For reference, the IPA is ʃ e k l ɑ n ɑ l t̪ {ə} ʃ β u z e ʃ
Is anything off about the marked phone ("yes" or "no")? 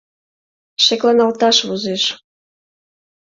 yes